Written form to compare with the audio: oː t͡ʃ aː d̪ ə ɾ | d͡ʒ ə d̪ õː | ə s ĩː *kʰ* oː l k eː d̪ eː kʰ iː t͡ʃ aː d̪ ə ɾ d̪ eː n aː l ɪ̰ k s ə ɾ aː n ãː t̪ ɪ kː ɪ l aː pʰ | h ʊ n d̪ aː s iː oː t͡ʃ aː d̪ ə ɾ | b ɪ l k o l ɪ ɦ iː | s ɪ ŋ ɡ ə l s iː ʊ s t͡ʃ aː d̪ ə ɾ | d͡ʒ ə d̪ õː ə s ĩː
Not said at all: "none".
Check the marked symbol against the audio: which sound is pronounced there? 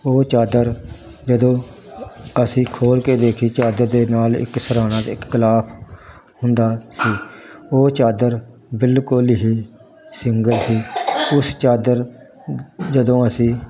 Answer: kʰ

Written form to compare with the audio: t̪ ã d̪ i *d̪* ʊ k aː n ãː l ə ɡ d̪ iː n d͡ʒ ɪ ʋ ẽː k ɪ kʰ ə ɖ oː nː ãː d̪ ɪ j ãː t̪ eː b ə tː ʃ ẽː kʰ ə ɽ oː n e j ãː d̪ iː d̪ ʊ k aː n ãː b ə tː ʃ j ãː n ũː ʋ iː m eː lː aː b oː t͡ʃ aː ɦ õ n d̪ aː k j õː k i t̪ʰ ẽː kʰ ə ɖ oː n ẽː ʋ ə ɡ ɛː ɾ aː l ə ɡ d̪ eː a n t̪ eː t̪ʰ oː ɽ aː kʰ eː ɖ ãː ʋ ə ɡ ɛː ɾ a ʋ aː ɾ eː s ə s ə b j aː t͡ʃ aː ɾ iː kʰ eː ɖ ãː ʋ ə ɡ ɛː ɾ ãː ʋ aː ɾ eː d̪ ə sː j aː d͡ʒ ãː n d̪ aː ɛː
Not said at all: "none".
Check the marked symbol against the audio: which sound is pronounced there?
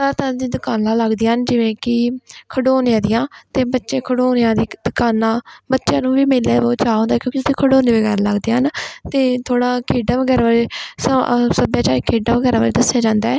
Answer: d̪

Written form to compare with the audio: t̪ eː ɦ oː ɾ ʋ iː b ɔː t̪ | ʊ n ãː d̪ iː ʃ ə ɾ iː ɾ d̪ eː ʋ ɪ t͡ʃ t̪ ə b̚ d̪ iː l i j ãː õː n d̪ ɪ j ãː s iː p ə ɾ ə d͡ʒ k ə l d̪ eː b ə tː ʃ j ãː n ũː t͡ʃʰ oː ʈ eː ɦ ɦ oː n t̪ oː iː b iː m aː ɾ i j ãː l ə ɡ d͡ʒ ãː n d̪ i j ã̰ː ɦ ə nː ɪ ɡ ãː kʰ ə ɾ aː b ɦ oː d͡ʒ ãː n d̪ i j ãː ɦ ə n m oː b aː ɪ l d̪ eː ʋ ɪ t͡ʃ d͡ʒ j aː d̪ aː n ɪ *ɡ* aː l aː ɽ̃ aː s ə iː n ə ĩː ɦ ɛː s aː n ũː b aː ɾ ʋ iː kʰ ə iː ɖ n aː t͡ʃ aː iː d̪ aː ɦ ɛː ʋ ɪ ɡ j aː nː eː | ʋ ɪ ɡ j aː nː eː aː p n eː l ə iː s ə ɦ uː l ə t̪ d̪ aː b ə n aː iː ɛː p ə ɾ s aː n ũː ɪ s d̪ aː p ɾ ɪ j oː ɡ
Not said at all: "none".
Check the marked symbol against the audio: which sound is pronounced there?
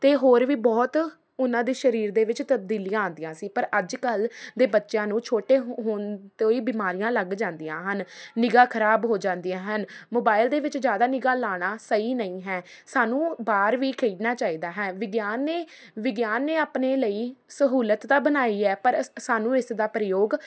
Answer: ɡ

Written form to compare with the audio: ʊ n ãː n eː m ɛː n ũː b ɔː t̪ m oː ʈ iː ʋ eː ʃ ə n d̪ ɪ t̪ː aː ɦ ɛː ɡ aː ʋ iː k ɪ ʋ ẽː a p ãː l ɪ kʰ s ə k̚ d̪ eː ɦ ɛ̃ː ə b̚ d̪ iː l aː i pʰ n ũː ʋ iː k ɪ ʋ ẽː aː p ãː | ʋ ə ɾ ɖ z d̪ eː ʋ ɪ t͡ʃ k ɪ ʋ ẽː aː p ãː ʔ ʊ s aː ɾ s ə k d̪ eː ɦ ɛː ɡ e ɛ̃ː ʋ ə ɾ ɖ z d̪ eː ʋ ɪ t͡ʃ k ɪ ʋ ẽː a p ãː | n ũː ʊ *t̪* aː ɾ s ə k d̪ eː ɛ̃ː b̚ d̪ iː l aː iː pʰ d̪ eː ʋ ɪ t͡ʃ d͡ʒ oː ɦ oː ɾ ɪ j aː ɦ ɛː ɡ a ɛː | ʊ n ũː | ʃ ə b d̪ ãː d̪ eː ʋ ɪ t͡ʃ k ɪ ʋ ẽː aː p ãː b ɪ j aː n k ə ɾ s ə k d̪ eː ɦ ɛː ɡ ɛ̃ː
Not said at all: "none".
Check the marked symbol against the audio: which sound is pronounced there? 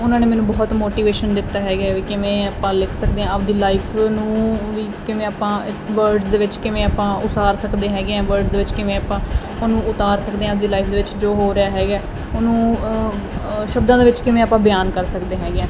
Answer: t̪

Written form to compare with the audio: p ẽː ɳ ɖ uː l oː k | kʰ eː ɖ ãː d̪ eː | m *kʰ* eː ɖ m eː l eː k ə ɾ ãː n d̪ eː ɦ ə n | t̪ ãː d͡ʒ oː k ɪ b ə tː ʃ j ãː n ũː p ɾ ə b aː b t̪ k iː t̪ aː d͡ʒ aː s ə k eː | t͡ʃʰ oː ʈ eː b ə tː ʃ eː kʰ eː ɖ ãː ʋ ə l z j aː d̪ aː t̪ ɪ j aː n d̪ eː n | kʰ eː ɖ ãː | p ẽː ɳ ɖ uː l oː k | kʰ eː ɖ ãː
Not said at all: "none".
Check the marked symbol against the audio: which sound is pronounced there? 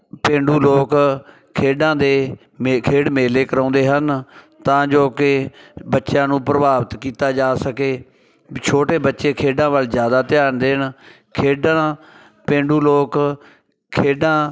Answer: kʰ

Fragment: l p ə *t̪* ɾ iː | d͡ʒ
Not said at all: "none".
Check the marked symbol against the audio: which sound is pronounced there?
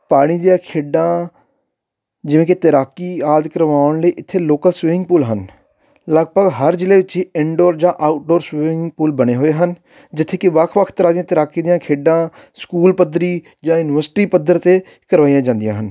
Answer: d̪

